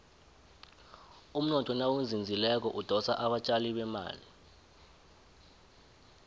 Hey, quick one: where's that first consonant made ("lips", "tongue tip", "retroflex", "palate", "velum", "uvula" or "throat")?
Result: lips